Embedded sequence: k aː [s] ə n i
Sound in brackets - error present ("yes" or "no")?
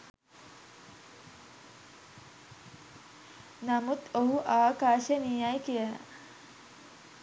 yes